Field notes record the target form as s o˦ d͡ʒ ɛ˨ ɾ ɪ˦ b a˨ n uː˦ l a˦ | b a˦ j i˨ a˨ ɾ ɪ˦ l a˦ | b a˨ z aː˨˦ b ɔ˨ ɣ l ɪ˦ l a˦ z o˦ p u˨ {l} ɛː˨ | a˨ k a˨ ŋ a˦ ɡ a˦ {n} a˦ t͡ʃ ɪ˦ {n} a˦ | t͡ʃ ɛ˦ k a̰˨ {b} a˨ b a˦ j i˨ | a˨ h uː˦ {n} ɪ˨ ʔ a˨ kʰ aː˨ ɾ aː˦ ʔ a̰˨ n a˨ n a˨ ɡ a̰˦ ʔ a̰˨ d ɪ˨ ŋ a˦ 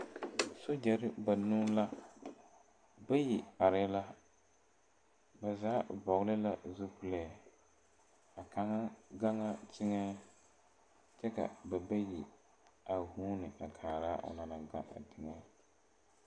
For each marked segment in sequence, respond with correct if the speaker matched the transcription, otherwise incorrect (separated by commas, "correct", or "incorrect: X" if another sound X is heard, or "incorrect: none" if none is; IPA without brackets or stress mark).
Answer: correct, incorrect: ŋ, incorrect: ŋ, correct, correct